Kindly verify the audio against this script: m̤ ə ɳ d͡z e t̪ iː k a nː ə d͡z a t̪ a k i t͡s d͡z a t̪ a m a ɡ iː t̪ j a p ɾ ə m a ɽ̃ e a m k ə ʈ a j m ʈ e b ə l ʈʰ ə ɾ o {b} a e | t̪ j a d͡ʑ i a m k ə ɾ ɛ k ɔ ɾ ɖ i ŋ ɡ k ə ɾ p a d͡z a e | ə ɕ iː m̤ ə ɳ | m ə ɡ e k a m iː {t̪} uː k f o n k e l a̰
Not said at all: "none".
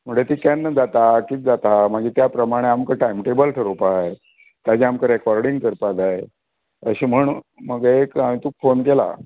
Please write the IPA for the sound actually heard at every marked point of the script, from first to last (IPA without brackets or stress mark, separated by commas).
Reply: p, t̪